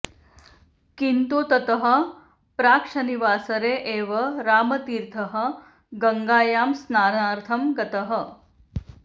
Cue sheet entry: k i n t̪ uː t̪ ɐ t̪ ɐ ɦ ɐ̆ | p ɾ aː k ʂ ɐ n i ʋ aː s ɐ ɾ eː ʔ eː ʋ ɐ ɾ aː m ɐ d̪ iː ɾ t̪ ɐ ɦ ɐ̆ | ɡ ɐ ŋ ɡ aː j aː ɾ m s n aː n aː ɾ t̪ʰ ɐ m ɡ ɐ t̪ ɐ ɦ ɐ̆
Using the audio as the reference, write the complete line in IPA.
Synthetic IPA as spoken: k i n t̪ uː t̪ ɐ t̪ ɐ ɦ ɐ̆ | p ɾ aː k ʂ ɐ n i ʋ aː s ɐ ɾ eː ʔ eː ʋ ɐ ɾ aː m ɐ t̪ iː ɾ t̪ʰ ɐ ɦ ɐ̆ | ɡ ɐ ŋ ɡ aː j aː m s n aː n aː ɾ t̪ʰ ɐ m ɡ ɐ t̪ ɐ ɦ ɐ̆